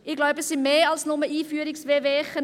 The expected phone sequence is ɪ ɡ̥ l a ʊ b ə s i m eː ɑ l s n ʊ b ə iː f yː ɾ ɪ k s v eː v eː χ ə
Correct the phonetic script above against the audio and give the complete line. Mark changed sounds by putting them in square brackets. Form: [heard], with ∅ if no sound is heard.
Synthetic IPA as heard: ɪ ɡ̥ l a ʊ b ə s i m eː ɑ l s n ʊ [m] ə iː f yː ɾ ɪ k s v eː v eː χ ə